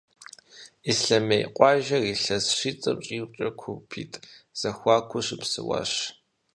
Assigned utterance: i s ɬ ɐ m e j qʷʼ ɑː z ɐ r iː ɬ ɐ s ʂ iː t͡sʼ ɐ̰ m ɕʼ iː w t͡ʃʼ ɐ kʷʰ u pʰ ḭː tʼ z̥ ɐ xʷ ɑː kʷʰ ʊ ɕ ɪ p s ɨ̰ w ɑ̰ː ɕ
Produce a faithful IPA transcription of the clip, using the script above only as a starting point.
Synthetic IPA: i s ɬ ɐ m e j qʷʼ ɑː ʒ ɐ r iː ɬ ɐ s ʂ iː t͡sʼ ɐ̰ m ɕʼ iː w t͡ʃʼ ɐ kʷʰ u pʰ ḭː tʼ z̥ ɐ xʷ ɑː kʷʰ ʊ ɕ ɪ p s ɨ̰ w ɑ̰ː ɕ